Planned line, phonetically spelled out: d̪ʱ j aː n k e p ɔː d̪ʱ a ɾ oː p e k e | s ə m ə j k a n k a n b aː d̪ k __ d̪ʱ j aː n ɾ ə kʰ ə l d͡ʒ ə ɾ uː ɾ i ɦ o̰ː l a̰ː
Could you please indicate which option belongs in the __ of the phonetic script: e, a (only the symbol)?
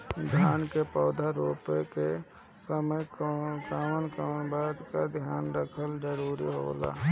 a